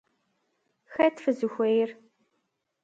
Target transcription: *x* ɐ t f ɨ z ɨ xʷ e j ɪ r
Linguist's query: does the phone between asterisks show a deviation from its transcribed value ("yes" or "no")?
no